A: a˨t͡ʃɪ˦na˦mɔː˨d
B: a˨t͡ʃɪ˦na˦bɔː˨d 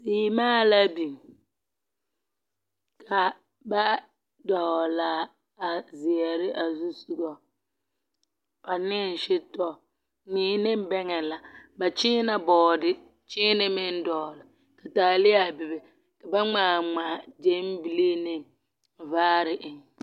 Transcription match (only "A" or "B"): B